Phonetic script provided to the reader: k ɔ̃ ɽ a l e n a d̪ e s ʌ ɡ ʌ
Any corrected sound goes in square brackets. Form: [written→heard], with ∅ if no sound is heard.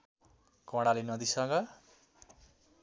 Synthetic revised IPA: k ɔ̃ ɽ a l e n [a→ʌ] d̪ [e→i] s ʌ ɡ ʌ